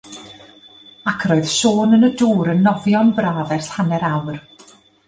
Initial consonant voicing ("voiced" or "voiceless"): voiceless